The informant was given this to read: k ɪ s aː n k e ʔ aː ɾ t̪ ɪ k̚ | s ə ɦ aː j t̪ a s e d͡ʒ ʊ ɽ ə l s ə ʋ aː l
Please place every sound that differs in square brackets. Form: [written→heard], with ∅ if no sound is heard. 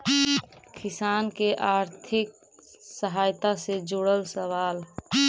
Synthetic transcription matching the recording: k ɪ s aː n k e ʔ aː ɾ [t̪→t̪ʰ] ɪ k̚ | s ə ɦ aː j t̪ a s e d͡ʒ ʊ ɽ ə l s ə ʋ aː l